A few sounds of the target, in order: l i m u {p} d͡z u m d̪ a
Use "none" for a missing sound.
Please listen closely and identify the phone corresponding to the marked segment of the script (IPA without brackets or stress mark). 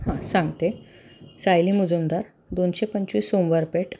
none